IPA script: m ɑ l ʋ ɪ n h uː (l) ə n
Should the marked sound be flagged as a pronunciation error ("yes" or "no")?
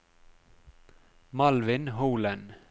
no